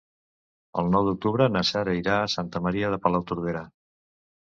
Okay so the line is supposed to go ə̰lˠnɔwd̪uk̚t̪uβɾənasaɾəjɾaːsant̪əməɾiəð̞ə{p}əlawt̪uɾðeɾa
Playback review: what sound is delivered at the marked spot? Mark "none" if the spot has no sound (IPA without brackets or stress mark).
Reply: p